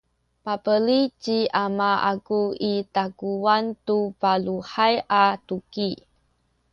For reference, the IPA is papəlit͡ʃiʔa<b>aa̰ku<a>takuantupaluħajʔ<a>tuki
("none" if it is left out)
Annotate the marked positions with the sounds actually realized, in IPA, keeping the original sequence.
m, i, a

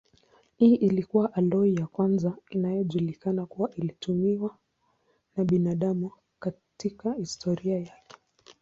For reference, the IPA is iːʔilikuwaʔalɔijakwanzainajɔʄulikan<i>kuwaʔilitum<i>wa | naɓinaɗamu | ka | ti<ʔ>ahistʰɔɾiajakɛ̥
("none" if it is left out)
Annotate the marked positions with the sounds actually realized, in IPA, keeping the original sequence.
a, i, k

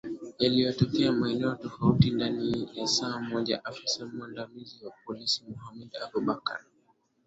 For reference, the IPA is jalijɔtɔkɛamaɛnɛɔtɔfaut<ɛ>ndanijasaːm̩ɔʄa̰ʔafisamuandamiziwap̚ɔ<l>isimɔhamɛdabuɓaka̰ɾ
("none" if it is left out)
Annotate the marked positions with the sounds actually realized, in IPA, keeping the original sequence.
i, l

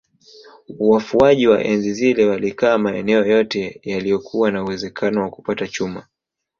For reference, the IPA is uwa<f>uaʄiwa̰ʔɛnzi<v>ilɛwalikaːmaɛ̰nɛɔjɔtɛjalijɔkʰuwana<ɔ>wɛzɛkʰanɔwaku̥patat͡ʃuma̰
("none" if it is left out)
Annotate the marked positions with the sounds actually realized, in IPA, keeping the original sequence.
f, z, u

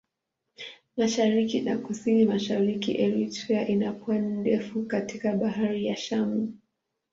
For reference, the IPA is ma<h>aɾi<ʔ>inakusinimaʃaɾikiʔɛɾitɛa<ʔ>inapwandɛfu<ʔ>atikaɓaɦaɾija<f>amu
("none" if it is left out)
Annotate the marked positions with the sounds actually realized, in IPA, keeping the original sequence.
ʃ, k, ʔ, k, ʃ

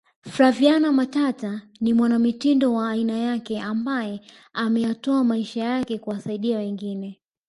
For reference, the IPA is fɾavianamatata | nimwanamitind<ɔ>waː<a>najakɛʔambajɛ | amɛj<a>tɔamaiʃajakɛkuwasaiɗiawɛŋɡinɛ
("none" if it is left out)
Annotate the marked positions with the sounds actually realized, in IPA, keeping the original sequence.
ɔ, i, a

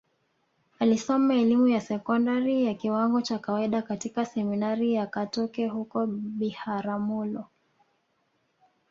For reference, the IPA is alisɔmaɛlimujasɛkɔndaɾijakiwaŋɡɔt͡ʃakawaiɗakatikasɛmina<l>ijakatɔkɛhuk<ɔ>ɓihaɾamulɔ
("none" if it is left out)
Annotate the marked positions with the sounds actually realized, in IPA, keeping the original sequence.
ɾ, ɔ

